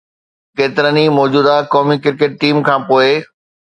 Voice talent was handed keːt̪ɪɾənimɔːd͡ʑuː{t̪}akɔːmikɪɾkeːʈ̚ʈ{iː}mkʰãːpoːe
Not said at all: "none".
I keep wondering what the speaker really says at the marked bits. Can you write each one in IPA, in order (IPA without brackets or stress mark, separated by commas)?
d̪, iː